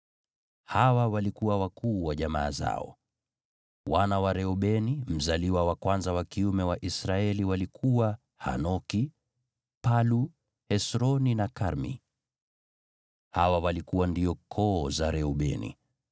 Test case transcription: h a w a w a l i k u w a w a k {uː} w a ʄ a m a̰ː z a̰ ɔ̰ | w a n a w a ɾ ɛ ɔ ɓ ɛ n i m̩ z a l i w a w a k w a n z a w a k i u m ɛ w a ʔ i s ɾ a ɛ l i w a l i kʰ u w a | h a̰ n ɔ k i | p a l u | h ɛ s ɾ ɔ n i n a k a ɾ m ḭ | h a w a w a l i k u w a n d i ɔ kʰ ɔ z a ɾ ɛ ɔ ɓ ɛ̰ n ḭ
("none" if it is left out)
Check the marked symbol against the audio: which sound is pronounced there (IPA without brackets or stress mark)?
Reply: uː